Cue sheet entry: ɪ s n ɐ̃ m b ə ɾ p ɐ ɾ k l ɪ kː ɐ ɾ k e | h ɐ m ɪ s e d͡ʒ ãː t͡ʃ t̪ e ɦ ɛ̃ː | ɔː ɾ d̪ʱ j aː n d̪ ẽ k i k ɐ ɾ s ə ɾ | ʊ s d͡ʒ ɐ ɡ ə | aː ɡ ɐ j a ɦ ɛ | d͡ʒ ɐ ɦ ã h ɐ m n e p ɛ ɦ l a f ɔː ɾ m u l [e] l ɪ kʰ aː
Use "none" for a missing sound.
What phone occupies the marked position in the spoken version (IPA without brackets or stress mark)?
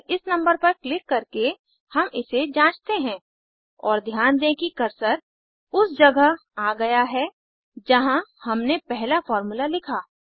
a